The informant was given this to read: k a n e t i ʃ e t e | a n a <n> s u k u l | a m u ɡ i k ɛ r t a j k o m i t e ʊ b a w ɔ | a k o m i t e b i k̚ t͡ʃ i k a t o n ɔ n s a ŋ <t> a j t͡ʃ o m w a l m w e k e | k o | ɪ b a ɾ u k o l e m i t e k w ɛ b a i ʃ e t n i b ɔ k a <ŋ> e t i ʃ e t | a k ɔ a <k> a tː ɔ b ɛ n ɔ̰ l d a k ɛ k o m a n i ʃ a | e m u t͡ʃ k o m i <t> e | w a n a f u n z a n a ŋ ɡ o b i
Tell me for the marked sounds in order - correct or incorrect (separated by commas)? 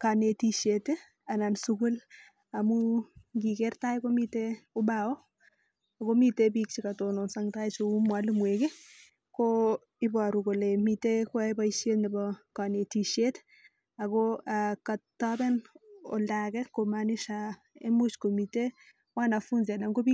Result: correct, correct, incorrect, correct, correct